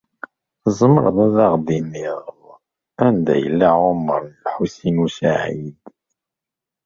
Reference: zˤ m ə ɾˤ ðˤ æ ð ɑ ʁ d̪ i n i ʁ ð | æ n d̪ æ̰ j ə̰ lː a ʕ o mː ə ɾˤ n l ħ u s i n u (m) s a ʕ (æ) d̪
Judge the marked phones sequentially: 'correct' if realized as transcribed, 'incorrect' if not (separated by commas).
incorrect, incorrect